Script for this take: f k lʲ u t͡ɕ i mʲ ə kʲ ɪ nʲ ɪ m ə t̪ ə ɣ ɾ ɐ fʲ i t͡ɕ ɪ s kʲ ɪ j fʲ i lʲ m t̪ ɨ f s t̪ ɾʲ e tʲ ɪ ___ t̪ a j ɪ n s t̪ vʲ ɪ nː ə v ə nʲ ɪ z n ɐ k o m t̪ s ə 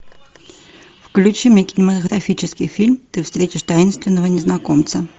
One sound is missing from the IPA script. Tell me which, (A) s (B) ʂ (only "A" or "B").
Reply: B